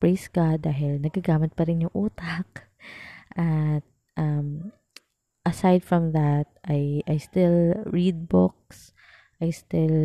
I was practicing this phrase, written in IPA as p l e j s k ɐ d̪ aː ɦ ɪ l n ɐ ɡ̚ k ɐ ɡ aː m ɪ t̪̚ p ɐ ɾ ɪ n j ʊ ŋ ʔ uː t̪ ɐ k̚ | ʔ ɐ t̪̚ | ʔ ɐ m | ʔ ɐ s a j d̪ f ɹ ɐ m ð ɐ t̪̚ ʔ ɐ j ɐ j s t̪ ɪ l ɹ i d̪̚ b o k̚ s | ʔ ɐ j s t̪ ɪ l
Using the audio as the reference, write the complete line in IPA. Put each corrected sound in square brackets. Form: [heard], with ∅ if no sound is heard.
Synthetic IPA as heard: p [ɹ] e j s k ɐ d̪ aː ɦ ɪ l n ɐ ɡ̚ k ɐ ɡ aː m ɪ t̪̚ p ɐ ɾ ɪ n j ʊ ŋ ʔ uː t̪ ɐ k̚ | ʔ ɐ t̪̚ | ʔ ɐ m | ʔ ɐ s a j d̪ f ɹ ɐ m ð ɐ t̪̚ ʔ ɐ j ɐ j s t̪ ɪ l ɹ i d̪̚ b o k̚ s | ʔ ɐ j s t̪ ɪ l